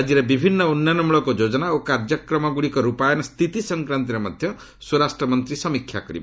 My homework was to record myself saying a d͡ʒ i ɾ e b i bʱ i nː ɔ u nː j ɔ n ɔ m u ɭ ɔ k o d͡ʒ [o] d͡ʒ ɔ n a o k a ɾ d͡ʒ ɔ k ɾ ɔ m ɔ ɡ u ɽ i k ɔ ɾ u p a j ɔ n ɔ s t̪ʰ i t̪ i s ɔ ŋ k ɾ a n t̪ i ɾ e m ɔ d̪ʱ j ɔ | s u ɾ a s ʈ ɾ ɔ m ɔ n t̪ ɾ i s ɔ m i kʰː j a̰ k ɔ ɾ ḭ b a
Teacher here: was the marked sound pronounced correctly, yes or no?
yes